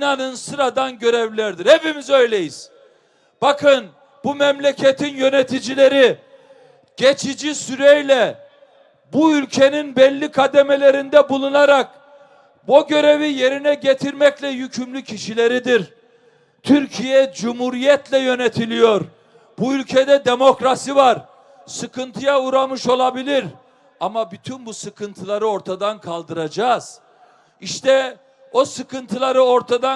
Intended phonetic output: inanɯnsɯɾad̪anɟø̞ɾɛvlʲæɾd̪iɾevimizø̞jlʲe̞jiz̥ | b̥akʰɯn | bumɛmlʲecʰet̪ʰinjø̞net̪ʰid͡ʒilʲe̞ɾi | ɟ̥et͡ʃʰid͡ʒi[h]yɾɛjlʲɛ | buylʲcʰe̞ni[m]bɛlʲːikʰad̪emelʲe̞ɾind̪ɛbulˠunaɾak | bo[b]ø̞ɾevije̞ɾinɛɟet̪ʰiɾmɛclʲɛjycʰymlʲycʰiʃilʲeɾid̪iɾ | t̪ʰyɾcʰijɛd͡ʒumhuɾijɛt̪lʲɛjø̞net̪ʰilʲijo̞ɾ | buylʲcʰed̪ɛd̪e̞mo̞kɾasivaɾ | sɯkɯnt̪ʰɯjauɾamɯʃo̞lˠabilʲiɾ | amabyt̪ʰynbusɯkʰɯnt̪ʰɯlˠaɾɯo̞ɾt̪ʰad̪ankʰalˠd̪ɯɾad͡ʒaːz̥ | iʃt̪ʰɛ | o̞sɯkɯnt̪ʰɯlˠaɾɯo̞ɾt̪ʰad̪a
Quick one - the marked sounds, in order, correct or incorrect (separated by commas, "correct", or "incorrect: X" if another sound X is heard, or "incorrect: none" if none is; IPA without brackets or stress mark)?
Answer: incorrect: s, incorrect: n, incorrect: ɟ